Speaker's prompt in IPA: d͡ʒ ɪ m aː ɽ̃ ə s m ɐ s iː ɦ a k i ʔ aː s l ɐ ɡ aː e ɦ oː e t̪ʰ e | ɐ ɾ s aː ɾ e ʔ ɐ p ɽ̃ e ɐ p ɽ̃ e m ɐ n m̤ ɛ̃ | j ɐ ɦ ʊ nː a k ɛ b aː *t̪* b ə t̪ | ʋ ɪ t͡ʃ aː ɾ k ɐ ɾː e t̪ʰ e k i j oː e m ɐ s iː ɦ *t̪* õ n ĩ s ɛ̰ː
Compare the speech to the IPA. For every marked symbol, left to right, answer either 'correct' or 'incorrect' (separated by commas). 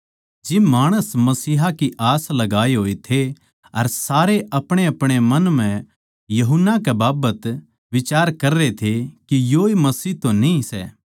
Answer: incorrect, correct